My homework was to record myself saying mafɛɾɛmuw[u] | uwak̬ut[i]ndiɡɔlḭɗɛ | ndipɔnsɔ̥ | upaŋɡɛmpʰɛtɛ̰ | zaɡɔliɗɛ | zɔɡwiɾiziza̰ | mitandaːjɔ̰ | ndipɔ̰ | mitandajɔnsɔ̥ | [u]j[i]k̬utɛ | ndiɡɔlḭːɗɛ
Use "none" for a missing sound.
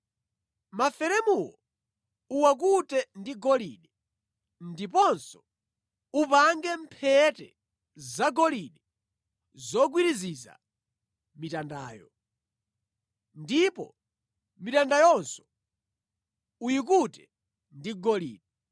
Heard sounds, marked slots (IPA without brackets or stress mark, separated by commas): ɔ, ɛ, u, i